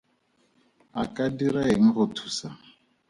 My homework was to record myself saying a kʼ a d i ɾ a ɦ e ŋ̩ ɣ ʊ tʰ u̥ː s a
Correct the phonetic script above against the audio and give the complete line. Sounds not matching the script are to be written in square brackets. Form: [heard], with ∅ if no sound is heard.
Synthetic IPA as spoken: a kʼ a d i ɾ a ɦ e ŋ̩ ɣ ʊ tʰ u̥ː s a